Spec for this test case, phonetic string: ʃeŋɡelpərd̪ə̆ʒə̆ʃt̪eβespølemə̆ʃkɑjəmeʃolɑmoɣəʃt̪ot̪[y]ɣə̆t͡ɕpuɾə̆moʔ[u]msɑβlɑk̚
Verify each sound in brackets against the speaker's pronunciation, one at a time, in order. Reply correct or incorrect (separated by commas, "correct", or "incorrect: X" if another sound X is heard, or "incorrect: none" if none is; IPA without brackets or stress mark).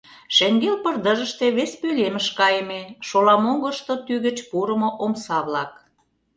correct, incorrect: o